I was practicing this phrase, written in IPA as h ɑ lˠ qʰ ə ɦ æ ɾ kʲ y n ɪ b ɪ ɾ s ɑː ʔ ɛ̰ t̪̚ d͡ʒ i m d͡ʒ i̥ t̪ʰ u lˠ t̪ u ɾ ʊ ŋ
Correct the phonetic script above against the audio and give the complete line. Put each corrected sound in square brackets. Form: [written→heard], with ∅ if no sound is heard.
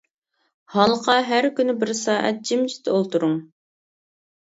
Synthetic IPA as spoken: h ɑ lˠ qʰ [ə→ɑ] ɦ æ ɾ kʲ y n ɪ b ɪ ɾ s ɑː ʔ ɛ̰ t̪̚ d͡ʒ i m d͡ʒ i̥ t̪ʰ [u→o] lˠ t̪ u ɾ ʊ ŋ